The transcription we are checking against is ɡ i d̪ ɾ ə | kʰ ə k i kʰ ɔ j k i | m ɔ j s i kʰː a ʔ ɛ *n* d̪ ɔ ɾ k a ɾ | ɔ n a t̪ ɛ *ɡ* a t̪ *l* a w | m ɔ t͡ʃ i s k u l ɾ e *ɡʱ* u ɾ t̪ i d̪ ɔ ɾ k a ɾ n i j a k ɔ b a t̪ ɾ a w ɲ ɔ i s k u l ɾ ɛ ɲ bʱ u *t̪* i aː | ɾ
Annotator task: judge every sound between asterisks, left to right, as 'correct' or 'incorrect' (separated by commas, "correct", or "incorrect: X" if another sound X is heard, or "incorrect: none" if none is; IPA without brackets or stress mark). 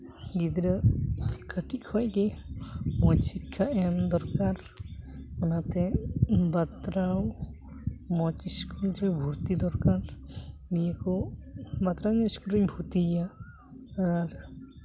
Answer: incorrect: m, incorrect: b, incorrect: ɾ, incorrect: bʱ, correct